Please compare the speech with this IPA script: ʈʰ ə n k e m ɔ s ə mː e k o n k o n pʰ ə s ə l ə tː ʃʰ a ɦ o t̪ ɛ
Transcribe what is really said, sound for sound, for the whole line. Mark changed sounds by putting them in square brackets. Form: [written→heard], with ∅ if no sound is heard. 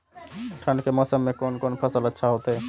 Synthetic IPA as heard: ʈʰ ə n k e m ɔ s ə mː e k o n k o n pʰ ə s ə l ə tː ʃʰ a ɦ o t̪ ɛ